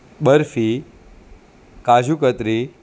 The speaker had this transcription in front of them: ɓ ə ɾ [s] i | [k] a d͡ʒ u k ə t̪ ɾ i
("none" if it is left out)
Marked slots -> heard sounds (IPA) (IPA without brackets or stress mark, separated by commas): f, k